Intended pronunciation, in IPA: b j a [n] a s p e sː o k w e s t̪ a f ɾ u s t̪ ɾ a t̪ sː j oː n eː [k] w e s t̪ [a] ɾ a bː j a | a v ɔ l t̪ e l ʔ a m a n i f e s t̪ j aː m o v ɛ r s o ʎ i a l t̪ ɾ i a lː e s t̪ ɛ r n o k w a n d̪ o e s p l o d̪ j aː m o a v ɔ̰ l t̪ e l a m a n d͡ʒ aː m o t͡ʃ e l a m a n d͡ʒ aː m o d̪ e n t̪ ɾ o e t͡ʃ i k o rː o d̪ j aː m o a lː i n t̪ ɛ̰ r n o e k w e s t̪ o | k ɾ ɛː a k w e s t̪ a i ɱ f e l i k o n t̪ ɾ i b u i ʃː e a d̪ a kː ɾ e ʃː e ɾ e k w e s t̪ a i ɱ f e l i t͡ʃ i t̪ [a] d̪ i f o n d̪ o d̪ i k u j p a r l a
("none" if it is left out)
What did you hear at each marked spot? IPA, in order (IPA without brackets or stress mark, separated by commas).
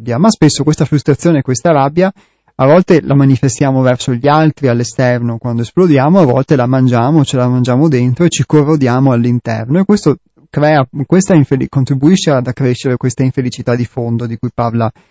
m, k, a, a